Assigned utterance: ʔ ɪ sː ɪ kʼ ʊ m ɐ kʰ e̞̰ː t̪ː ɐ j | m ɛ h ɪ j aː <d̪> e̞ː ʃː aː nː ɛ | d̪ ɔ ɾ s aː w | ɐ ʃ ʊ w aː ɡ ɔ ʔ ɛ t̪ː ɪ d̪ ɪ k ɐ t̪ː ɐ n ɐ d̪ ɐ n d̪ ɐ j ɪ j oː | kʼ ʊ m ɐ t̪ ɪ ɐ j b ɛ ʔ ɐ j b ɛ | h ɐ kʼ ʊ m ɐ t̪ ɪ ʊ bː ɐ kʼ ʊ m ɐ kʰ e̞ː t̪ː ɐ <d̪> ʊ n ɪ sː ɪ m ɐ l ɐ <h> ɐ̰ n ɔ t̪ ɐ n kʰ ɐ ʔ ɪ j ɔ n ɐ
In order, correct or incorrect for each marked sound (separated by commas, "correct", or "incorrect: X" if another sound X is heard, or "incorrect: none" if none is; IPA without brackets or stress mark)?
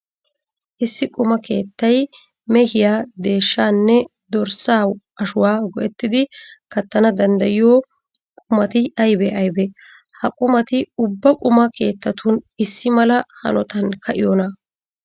correct, incorrect: t̪, correct